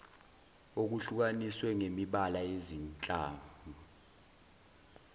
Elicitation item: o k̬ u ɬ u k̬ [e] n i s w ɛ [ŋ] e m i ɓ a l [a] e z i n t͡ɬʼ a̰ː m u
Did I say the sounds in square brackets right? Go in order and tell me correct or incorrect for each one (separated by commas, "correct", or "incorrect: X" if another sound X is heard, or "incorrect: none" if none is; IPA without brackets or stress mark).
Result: incorrect: a, correct, correct